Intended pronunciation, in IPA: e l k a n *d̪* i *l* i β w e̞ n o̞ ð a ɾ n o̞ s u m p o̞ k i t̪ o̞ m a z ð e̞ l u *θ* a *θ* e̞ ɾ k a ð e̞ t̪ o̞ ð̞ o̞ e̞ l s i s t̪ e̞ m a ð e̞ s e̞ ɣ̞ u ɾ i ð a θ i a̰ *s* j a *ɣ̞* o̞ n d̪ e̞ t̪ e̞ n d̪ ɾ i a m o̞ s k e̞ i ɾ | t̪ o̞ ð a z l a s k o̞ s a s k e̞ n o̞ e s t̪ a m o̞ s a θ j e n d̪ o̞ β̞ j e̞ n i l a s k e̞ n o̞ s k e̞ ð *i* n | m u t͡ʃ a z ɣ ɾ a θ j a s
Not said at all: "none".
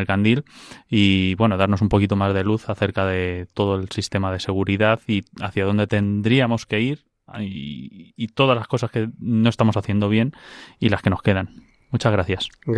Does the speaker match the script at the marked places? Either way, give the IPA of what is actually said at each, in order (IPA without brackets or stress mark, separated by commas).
d̪, l, θ, θ, θ, ð̞, a